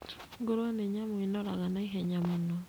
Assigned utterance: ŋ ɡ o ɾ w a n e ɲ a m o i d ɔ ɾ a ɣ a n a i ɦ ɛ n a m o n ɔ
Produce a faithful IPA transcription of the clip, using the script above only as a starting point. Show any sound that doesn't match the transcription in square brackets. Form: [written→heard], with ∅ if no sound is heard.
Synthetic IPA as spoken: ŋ ɡ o ɾ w a n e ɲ a m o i [d→n] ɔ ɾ a ɣ a n a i ɦ ɛ [n→ɲ] a m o n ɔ